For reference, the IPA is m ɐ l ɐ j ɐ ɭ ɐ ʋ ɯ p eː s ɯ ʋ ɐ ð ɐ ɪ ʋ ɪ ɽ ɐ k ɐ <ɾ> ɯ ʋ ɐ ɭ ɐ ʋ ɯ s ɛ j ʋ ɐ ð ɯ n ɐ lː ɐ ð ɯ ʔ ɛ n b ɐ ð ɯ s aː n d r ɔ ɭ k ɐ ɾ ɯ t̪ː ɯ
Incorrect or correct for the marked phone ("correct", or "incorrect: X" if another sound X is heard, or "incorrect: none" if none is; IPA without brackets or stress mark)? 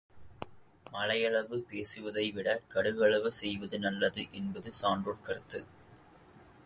incorrect: ɽ